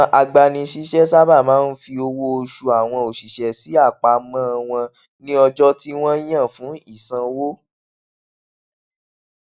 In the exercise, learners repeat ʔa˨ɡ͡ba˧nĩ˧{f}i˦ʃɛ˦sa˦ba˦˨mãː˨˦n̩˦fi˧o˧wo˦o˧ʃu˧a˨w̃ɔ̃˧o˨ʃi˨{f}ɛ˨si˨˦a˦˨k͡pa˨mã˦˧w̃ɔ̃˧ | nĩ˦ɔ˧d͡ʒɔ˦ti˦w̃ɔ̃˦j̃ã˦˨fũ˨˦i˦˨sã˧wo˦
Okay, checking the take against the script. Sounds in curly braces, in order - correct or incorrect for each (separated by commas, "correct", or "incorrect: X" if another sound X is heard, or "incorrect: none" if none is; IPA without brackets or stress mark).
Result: incorrect: ʃ, incorrect: ʃ